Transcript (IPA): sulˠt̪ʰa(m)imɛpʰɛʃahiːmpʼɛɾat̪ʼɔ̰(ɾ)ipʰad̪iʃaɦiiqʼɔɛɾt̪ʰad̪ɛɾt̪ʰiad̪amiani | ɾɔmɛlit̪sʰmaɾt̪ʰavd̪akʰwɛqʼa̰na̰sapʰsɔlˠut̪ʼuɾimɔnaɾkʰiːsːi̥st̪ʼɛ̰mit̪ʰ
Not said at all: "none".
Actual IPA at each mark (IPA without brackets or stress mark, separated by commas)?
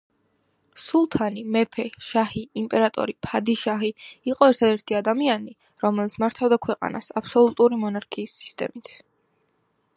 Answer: n, ɾ